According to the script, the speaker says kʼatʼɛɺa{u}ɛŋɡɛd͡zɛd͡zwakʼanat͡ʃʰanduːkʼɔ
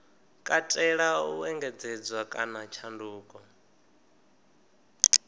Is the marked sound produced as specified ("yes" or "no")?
yes